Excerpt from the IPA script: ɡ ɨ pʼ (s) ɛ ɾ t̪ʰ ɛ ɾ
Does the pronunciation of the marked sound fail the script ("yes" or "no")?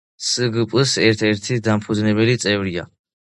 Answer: no